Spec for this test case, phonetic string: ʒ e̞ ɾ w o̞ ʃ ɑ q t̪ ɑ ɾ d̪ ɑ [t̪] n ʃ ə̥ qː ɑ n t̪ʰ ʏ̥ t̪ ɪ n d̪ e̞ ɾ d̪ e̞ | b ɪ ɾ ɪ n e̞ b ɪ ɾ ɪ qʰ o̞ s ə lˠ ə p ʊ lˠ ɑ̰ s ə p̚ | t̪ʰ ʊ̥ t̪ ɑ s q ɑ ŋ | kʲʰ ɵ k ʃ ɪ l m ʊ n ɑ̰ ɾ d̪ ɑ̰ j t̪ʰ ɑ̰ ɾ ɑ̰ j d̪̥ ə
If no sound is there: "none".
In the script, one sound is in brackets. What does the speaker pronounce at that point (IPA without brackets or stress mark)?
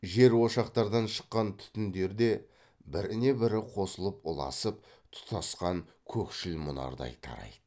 none